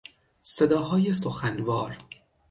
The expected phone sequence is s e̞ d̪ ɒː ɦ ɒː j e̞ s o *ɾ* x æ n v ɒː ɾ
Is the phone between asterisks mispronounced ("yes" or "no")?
yes